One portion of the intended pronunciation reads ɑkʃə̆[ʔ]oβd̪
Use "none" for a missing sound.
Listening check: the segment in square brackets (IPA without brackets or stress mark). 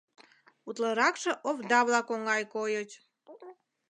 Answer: ʔ